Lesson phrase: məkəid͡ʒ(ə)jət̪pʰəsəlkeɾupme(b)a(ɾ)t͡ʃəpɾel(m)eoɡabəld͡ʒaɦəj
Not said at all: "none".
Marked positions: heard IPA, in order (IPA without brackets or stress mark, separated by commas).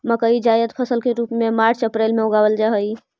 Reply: a, m, ɾ, m